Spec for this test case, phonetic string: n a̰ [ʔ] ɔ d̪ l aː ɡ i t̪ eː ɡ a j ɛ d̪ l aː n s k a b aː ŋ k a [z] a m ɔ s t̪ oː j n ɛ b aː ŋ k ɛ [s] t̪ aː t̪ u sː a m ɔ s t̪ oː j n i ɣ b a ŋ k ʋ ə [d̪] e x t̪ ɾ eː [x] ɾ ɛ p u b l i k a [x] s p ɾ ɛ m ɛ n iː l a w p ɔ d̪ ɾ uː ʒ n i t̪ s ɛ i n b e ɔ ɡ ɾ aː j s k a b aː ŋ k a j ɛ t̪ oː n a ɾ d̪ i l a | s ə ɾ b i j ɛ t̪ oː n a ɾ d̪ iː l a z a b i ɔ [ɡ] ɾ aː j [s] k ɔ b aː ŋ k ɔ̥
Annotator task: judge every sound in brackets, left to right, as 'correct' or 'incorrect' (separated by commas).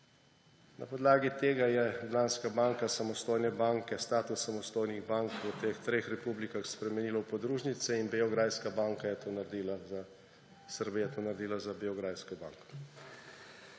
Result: incorrect, incorrect, correct, incorrect, correct, correct, correct, correct